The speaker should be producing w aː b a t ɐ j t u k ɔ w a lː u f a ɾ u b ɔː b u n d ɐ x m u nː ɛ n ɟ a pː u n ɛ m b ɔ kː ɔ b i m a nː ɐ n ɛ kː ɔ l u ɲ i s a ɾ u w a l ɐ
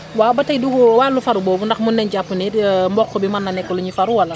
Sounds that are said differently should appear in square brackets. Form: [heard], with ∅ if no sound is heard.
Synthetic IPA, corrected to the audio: w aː b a t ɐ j [d] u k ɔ w a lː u f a ɾ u b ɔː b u n d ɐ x m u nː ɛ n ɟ a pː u n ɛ m b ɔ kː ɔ b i m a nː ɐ n ɛ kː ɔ l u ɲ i [f] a ɾ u w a l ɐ